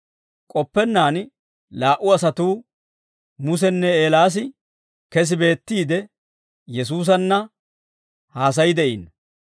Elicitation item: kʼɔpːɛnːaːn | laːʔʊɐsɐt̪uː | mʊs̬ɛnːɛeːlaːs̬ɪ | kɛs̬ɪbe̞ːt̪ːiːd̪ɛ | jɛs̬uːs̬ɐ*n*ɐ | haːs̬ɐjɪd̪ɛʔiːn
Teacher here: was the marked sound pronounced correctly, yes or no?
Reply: no